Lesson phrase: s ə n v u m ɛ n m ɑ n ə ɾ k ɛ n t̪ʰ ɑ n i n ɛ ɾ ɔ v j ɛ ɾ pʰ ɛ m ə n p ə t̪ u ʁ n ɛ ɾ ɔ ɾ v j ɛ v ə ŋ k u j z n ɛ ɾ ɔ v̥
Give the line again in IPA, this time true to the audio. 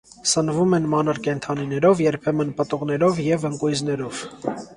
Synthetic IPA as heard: s ə n v u m ɛ n m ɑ n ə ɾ k ɛ n t̪ʰ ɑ n i n ɛ ɾ ɔ v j ɛ ɾ pʰ ɛ m ə n p ə t̪ u ʁ n ɛ ɾ ɔ v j ɛ v ə ŋ k u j z n ɛ ɾ ɔ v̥